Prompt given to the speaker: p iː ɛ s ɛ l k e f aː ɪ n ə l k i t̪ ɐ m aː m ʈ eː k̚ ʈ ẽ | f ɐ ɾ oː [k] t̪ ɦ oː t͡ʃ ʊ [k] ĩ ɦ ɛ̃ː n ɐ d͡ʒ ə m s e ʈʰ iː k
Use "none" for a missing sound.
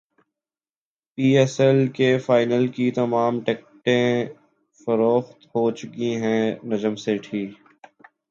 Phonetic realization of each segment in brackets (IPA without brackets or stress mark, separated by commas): x, k